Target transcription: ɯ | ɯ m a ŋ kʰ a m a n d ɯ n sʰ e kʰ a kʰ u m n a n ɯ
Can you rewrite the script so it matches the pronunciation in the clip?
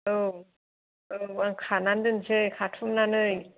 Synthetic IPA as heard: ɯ | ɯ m a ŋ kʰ a n a n d ɯ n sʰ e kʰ a tʰ u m n a n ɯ